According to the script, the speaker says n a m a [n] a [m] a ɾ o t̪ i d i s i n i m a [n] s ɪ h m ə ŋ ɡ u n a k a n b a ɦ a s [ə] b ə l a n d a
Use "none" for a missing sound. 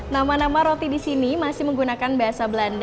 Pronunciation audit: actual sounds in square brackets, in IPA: n, m, none, a

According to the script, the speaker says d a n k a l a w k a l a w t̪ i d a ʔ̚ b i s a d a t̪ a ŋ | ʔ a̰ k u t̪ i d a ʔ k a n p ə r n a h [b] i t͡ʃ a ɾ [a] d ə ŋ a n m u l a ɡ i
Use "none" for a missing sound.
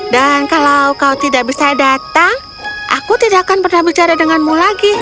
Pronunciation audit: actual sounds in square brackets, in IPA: b, a

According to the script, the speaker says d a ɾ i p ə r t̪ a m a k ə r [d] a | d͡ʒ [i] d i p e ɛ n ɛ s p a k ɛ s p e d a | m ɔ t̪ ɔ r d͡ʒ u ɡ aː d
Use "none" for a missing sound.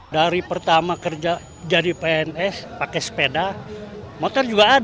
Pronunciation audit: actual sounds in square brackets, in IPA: d͡ʒ, a

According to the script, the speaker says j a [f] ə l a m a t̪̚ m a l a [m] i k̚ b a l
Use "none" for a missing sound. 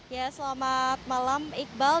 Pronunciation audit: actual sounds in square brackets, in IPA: s, m

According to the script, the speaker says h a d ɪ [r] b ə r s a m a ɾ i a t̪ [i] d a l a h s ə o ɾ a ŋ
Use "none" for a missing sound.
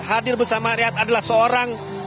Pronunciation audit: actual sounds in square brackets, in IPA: r, a

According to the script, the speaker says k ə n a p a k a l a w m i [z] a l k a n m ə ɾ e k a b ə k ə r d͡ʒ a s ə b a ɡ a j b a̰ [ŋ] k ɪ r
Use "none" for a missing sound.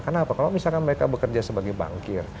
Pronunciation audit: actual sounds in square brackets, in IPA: s, ŋ

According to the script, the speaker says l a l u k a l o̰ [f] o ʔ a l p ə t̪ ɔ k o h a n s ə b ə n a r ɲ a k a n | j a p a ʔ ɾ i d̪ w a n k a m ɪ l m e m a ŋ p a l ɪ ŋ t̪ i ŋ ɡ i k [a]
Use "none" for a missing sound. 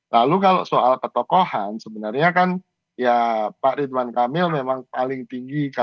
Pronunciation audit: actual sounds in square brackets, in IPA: s, a

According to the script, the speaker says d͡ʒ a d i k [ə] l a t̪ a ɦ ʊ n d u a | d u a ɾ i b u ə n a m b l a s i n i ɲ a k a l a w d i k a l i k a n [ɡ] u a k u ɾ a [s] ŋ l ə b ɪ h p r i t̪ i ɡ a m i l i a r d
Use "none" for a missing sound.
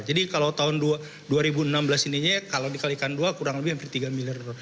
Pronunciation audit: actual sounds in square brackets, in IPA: a, d, none

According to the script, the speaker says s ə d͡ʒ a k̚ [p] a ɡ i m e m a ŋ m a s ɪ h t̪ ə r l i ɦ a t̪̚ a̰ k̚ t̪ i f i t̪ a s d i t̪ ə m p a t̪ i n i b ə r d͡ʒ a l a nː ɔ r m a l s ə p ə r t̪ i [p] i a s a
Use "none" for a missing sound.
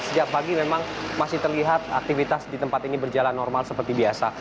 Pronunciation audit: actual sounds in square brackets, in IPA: p, b

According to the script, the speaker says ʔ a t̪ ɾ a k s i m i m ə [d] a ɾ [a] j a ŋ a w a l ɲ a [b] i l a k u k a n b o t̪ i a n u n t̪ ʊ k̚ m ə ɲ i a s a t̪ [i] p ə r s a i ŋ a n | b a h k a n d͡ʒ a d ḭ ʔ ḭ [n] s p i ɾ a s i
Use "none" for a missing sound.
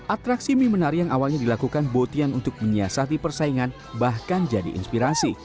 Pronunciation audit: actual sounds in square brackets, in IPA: n, i, d, i, n

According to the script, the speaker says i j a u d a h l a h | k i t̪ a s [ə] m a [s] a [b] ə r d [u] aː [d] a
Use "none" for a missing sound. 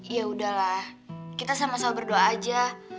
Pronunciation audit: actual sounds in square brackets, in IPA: a, s, b, o, d͡ʒ

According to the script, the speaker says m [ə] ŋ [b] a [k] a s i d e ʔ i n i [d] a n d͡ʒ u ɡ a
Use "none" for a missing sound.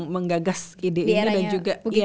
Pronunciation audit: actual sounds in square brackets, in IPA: ə, ɡ, ɡ, d

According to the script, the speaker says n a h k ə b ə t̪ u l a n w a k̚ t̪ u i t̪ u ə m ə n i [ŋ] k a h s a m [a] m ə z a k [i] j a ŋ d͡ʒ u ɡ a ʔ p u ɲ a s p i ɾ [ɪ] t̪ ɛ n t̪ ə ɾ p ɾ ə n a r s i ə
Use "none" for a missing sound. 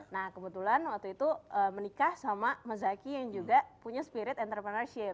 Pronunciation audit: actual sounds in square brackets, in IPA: none, a, i, ɪ

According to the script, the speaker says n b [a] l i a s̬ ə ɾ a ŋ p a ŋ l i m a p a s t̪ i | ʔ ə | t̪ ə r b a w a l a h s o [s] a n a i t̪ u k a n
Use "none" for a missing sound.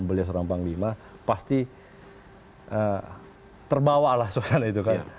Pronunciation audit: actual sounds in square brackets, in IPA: ə, s

